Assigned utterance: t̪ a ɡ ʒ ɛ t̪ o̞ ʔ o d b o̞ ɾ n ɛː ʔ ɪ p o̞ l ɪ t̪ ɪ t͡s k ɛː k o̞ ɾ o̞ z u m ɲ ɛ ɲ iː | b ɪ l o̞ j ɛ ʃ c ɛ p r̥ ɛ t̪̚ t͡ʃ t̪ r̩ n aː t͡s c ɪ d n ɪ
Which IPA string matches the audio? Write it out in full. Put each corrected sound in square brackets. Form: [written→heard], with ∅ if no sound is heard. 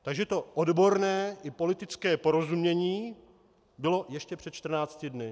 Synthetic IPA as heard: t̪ a ɡ ʒ ɛ t̪ o̞ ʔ o d b o̞ ɾ n ɛː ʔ ɪ p o̞ l ɪ t̪ ɪ t͡s k ɛː [k→p] o̞ ɾ o̞ z u m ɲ ɛ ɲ iː | b ɪ l o̞ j ɛ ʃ c ɛ p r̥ ɛ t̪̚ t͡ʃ t̪ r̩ n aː t͡s c ɪ d n ɪ